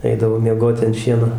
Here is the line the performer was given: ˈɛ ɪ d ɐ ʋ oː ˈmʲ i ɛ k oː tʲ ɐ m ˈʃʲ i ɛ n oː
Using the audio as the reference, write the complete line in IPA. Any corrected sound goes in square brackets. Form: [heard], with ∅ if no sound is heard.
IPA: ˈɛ ɪ d ɐ ʋ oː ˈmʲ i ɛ [ɡ] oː tʲ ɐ [n] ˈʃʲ i ɛ n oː